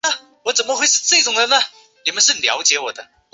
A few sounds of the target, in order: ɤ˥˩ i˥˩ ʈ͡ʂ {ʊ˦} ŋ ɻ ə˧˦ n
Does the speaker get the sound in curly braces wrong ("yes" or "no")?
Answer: yes